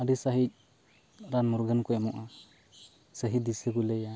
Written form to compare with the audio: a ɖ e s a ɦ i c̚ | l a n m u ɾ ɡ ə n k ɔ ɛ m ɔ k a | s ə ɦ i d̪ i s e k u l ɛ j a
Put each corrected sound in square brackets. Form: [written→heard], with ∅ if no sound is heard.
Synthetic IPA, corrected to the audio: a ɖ [e→i] s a ɦ i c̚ | [l→ɾ] a n m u ɾ ɡ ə n k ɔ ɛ m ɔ [k→ʔ] a | s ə ɦ i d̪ i s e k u l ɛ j a